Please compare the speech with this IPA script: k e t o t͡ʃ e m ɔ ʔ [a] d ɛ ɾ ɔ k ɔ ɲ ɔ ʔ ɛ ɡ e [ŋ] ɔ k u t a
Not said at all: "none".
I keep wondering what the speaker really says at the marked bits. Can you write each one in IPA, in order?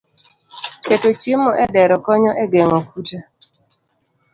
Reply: ɛ, ŋ

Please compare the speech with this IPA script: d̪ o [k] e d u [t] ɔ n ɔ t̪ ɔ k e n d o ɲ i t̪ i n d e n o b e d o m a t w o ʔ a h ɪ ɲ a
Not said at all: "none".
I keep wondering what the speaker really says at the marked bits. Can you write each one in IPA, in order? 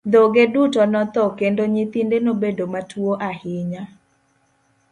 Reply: ɡ, t

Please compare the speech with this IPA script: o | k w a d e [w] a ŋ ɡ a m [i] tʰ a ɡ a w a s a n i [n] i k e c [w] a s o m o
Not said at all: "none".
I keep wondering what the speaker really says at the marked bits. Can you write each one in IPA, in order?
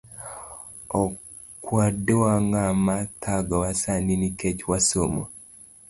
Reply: w, a, n, w

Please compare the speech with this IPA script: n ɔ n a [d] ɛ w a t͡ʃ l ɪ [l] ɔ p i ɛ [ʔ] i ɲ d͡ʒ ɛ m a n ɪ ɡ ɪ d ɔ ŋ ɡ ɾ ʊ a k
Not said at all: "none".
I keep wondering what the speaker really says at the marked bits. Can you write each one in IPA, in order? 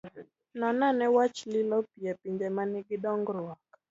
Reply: n, l, p

